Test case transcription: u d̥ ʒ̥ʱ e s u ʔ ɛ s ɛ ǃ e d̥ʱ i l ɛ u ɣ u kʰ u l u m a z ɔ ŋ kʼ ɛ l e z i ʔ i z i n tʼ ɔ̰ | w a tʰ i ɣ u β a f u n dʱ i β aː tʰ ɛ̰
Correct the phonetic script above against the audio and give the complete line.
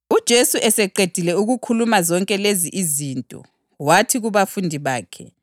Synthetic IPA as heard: u d̥ ʒ̥ʱ e s u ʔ ɛ s ɛ ǃ e d̥ʱ i l ɛ u ɣ u kʰ u l u m a z ɔ ŋ kʼ ɛ l e z i ʔ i z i n tʼ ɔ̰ | w a tʰ i ɣ u β a f u n dʱ i β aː kʰ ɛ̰